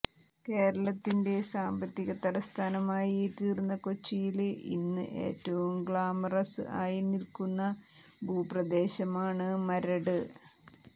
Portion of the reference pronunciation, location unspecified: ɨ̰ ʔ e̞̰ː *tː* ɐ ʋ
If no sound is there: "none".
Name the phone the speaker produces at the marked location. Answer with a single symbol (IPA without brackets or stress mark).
tː